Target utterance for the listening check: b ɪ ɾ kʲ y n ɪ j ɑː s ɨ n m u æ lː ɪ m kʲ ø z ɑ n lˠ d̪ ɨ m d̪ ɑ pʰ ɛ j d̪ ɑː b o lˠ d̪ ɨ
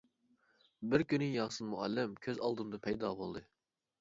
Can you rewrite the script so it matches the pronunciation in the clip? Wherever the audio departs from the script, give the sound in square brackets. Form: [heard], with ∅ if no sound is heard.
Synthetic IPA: b ɪ ɾ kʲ y n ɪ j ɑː s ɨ n m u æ lː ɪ m [kʲʰ] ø z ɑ [∅] lˠ d̪ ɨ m d̪ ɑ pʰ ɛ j d̪ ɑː b o lˠ d̪ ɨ